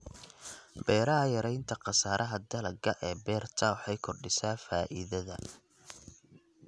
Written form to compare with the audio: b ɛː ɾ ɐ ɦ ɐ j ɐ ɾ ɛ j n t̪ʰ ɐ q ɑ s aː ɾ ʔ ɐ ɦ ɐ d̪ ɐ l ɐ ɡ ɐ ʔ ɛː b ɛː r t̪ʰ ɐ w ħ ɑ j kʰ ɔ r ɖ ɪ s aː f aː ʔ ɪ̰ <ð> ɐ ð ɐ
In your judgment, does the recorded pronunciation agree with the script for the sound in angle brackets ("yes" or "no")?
yes